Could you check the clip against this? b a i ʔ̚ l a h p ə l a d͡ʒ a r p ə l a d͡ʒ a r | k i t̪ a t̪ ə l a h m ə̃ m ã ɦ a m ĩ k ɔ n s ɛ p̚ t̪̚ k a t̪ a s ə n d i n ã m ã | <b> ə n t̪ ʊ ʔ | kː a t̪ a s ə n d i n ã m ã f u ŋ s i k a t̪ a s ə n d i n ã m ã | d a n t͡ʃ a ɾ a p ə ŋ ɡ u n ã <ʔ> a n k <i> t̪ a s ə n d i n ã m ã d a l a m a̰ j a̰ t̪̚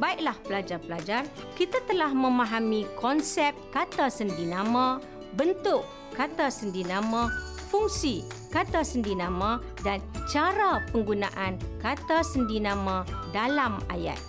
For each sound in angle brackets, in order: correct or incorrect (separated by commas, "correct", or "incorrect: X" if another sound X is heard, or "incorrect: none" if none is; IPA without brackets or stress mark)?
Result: correct, correct, incorrect: a